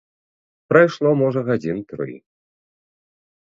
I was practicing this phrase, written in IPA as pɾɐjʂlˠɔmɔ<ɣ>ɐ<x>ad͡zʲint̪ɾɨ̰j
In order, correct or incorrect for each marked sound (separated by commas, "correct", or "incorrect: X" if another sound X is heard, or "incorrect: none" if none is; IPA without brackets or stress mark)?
incorrect: ʐ, incorrect: ɣ